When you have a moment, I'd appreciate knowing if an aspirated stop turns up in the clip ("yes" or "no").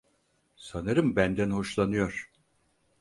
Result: no